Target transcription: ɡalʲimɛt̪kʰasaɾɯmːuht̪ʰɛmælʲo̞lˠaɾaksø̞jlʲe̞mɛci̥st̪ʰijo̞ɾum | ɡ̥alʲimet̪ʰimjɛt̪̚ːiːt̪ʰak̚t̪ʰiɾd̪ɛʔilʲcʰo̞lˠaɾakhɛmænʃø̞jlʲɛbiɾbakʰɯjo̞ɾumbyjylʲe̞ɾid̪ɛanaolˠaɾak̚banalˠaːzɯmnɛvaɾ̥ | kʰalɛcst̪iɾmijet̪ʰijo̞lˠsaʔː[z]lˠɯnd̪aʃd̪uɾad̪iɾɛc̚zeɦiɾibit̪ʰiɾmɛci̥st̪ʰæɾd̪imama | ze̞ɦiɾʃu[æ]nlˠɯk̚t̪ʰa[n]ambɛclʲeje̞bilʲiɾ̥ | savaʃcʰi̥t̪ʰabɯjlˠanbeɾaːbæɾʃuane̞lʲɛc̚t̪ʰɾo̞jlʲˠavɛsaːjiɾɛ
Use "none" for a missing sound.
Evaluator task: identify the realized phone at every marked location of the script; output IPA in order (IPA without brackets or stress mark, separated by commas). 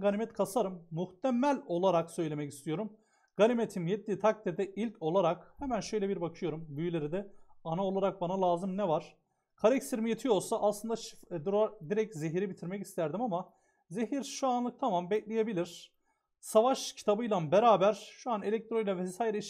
s, a, m